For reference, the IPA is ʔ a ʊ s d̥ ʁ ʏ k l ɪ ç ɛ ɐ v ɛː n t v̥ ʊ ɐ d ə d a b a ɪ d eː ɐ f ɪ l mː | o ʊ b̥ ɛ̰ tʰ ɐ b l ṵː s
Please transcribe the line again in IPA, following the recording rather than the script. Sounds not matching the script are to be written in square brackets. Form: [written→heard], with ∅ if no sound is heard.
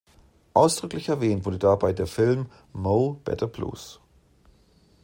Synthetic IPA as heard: ʔ a ʊ s d̥ ʁ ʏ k l ɪ ç ɛ ɐ v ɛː n t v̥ ʊ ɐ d ə d a b a ɪ d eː ɐ f ɪ l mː | o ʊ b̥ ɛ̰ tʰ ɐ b l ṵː s